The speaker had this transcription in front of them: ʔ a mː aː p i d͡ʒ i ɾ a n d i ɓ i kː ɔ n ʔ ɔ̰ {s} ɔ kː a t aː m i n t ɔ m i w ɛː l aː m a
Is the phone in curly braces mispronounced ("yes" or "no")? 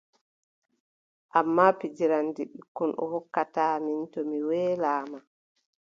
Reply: yes